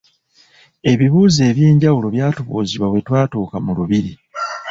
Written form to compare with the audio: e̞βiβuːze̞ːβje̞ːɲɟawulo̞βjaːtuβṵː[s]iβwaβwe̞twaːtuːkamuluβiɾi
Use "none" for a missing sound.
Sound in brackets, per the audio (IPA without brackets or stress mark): z